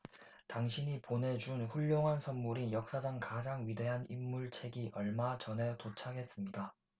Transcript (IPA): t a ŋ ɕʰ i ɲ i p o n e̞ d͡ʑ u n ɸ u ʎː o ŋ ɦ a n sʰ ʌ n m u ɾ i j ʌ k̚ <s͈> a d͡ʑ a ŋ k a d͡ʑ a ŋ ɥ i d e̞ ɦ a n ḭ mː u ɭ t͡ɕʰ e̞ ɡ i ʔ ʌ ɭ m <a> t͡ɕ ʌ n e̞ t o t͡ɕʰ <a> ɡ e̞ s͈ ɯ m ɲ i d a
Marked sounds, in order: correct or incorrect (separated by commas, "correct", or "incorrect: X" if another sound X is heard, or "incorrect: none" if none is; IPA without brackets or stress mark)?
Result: correct, correct, correct